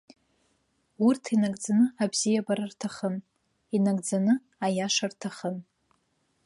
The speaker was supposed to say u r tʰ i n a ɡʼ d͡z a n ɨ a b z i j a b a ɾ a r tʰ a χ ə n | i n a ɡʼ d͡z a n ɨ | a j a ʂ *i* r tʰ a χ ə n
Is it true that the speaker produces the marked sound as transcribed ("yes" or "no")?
no